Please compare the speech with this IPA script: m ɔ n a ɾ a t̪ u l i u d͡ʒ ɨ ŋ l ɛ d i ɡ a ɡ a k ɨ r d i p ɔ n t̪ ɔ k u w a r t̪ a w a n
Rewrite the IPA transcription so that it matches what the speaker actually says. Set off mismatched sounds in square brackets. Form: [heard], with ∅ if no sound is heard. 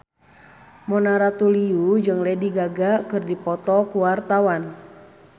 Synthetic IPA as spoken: m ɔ n a ɾ a t̪ u l i u d͡ʒ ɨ ŋ l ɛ d i ɡ a ɡ a k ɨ r d i p ɔ [∅] t̪ ɔ k u w a r t̪ a w a n